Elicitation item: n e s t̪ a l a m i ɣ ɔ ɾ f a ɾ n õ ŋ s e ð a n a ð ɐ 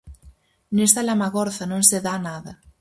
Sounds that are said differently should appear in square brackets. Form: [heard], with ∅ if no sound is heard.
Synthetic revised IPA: n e s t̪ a l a m [a] ɣ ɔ ɾ [θ] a [∅] n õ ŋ s e ð a n a ð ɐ